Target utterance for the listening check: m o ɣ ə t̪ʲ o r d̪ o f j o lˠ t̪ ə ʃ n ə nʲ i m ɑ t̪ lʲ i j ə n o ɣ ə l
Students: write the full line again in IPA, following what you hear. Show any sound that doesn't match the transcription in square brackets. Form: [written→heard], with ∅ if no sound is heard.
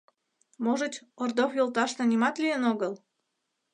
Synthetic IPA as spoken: m o [ɣ→ʒ] ə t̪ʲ o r d̪ o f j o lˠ t̪ [ə→ɑ] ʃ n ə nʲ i m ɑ t̪ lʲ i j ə n o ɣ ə l